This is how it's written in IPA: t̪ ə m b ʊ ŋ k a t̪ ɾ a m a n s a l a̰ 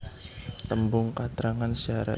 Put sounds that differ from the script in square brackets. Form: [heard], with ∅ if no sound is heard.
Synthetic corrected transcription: t̪ ə m b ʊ ŋ k a t̪ ɾ a [ŋ] a n s a [ɾ] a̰